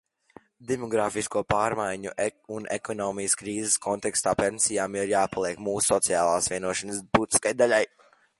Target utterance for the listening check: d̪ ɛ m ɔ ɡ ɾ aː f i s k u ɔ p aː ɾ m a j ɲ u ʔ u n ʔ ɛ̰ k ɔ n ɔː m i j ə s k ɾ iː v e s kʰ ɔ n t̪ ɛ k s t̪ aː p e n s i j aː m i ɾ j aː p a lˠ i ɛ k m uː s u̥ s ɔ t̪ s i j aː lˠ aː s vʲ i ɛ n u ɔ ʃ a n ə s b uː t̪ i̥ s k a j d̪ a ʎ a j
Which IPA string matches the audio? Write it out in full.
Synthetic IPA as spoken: d̪ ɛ m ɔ ɡ ɾ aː f i s k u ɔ p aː ɾ m a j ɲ u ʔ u n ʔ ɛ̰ k ɔ n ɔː m i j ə s k ɾ iː z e s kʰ ɔ n t̪ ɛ k s t̪ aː p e n s i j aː m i ɾ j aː p a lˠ i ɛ k m uː s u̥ s ɔ t̪ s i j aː lˠ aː s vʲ i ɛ n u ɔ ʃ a n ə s b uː t̪ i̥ s k a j d̪ a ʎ a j